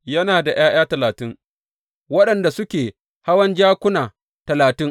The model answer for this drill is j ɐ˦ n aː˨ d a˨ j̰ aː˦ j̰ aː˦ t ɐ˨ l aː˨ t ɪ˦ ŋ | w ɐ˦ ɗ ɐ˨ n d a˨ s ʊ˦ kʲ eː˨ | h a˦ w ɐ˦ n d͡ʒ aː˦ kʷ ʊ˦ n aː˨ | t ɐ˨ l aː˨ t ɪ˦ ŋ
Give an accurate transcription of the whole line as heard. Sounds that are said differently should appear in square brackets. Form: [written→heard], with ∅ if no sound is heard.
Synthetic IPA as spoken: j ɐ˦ n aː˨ d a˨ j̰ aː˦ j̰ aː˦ t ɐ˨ l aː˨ t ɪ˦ ŋ | w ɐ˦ ɗ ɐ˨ n d a˨ s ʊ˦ kʲ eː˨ | h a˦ w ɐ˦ n d͡ʒ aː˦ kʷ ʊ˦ n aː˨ | t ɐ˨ l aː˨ t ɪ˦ ŋ